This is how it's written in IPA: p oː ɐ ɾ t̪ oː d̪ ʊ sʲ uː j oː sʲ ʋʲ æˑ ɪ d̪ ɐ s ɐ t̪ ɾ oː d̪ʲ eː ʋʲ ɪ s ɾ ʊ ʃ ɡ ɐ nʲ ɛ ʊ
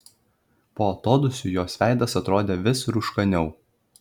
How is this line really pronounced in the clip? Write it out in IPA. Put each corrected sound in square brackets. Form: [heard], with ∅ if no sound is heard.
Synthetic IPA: p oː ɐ [∅] t̪ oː d̪ ʊ sʲ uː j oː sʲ ʋʲ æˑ ɪ d̪ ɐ s ɐ t̪ ɾ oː d̪ʲ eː ʋʲ ɪ s ɾ ʊ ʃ [k] ɐ nʲ ɛ ʊ